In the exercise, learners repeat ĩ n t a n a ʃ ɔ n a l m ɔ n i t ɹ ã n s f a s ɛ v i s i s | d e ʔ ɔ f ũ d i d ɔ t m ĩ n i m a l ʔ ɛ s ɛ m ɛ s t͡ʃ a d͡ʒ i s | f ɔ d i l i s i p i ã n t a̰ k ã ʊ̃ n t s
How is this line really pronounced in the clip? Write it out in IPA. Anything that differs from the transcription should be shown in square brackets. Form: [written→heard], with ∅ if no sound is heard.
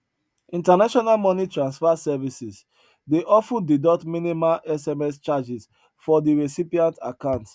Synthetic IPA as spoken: ĩ n t a n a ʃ ɔ n a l m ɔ n i t ɹ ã n s f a s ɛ v i s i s | d e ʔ ɔ f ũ d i d ɔ t m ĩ n i m a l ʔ ɛ s ɛ m ɛ s t͡ʃ a d͡ʒ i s | f ɔ d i [l→ɹ] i s i p i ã n t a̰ k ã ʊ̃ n t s